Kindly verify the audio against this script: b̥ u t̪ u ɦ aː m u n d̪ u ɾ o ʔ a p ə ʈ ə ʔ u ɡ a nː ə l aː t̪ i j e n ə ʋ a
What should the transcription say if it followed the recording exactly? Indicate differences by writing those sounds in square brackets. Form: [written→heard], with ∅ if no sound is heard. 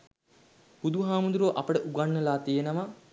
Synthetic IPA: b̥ u [t̪→d̪] u ɦ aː m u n d̪ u ɾ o ʔ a p ə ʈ ə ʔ u ɡ a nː ə l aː t̪ i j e n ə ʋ a